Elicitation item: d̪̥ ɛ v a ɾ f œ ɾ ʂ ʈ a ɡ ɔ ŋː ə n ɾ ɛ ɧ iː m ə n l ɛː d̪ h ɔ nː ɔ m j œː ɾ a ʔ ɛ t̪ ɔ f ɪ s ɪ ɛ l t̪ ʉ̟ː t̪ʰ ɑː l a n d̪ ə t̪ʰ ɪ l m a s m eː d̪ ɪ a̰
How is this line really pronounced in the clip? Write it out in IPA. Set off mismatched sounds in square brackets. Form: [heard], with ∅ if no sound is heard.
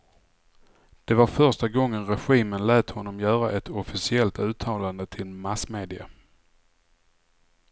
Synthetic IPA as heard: d̪̥ ɛ v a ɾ f œ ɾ ʂ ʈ a ɡ ɔ ŋː ə n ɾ ɛ ɧ iː m ə n l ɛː [t̪] h ɔ nː ɔ m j œː ɾ a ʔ ɛ t̪ ɔ f ɪ s ɪ ɛ l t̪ ʉ̟ː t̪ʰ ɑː l a n d̪ ə t̪ʰ ɪ l m a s m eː d̪ ɪ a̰